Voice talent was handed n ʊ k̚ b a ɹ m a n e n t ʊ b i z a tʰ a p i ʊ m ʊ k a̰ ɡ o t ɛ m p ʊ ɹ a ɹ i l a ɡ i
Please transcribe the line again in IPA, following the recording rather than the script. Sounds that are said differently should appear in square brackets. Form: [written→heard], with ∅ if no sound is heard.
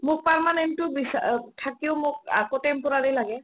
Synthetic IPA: [n→m] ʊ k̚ [b→p] a ɹ m a n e n t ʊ b i [z→s] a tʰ a [p→k] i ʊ m ʊ k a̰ [ɡ→k] o t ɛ m p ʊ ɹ a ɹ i l a ɡ [i→ɛ]